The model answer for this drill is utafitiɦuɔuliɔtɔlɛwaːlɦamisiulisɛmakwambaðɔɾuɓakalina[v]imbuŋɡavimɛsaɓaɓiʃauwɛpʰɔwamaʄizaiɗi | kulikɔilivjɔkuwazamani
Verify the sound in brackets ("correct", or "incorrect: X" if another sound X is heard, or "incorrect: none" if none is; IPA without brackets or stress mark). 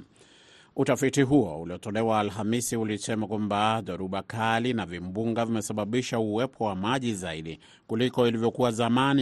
correct